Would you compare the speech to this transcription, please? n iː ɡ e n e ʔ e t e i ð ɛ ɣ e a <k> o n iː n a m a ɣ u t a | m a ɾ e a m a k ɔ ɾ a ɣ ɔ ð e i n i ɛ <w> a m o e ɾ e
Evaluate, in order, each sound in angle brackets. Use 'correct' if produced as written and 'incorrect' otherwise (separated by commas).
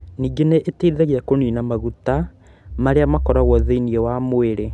correct, correct